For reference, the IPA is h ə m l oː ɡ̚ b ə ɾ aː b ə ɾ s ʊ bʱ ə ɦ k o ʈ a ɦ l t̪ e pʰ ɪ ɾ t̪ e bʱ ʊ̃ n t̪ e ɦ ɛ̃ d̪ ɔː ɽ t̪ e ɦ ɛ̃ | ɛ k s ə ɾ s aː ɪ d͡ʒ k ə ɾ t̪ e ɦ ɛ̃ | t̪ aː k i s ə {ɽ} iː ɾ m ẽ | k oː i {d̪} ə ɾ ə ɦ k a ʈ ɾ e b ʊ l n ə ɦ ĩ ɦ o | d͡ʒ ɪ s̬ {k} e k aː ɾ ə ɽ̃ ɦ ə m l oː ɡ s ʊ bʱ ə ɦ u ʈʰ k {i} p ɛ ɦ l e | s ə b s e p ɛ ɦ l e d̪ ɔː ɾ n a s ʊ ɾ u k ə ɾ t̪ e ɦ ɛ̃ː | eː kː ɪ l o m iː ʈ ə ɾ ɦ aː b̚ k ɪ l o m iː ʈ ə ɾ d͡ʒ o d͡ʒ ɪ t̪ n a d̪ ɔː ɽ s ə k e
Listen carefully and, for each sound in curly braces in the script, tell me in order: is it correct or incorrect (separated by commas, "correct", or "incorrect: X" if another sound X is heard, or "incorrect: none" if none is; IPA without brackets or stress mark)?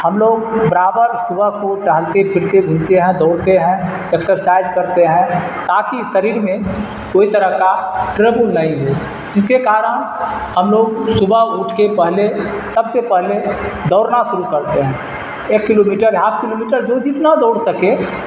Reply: incorrect: ɾ, incorrect: t̪, correct, incorrect: e